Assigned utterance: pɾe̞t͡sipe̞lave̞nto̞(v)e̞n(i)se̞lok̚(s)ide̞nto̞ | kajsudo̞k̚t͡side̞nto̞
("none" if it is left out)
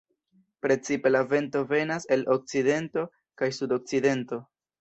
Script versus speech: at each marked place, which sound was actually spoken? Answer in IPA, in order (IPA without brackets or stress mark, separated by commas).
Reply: v, a, t͡s